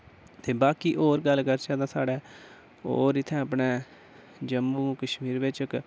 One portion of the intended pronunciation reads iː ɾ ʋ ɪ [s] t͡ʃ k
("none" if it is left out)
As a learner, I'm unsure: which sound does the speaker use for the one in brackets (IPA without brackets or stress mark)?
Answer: none